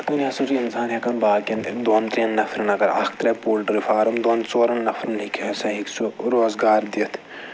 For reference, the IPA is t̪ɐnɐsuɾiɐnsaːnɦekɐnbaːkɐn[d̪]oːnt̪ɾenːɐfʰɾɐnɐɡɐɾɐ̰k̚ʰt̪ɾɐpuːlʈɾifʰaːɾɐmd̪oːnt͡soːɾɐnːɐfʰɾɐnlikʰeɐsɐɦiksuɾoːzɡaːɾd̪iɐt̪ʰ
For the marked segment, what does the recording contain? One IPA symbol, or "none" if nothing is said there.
d̪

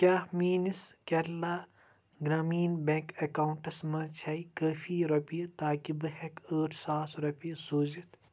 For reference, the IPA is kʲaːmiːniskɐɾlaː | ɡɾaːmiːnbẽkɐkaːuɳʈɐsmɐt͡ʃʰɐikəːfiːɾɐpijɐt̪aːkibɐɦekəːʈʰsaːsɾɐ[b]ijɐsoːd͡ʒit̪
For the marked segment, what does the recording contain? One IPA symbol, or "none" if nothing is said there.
p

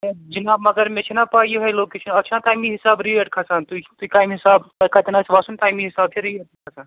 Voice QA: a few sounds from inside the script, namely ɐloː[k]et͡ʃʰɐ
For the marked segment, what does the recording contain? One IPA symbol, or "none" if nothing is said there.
k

